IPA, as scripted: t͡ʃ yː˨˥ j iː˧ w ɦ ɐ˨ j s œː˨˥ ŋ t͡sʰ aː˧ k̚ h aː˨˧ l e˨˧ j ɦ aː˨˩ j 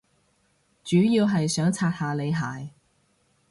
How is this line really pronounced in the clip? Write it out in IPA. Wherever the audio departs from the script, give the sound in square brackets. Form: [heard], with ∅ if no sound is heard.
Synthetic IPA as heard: t͡ʃ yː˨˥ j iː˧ w ɦ ɐ˨ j s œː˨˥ ŋ t͡sʰ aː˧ [t̚] h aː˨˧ l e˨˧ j ɦ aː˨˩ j